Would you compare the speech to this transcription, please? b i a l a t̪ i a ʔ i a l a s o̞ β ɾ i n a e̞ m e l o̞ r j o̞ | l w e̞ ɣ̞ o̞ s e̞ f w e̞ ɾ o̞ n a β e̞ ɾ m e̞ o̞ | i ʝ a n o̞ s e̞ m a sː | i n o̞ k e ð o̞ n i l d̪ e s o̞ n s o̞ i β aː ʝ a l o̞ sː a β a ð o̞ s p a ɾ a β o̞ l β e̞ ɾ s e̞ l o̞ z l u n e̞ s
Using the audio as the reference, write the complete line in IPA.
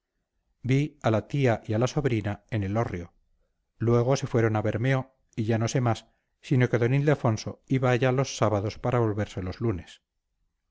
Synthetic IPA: b i a l a t̪ i a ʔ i a l a s o̞ β ɾ i n a e̞ n e l o̞ r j o̞ | l w e̞ ɣ̞ o̞ s e̞ f w e̞ ɾ o̞ n a β e̞ ɾ m e̞ o̞ | i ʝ a n o̞ s e̞ m a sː | i n o̞ k e ð o̞ n i l d̪ e f o̞ n s o̞ i β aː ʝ a l o̞ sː a β a ð o̞ s p a ɾ a β o̞ l β e̞ ɾ s e̞ l o̞ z l u n e̞ s